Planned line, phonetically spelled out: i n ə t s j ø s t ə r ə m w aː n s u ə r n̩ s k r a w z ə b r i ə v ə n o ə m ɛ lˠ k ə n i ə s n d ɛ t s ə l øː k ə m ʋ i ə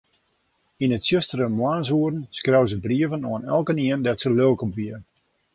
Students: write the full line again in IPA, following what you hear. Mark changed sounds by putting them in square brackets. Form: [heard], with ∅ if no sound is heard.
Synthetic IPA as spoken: i n ə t s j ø s t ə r ə m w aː n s u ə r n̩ s k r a w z ə b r i ə v ə n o ə [n] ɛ lˠ k ə n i ə [∅] n d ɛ t s ə l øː k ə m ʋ i ə